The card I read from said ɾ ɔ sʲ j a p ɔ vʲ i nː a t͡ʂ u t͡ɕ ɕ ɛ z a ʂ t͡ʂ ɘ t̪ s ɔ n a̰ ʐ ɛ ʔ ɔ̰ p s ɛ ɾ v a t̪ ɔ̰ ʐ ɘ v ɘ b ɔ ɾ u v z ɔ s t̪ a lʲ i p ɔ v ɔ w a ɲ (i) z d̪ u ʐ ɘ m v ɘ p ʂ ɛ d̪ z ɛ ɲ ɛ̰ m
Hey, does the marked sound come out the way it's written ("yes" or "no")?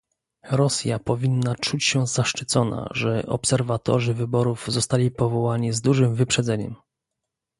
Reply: yes